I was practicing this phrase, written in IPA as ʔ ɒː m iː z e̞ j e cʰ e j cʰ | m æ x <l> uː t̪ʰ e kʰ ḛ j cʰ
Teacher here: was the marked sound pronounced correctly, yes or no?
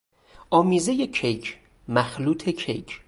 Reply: yes